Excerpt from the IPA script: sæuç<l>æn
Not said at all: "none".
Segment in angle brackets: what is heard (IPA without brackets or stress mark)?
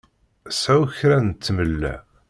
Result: ɾ